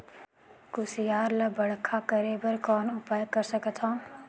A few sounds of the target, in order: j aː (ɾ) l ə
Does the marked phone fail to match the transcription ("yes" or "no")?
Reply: no